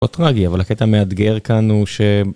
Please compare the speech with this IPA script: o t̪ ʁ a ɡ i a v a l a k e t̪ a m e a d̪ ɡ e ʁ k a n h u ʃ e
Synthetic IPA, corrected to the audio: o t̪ ʁ a ɡ i a v a l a k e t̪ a m e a d̪ ɡ e ʁ k a n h u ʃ e